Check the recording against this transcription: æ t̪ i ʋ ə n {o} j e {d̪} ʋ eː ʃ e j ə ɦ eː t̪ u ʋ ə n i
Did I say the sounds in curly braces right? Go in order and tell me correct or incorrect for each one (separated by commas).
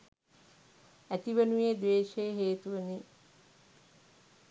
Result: incorrect, correct